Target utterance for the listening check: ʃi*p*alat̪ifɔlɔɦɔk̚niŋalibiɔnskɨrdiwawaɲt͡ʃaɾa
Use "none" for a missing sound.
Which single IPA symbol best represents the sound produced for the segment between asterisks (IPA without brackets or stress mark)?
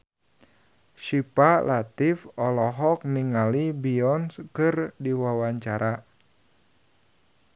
p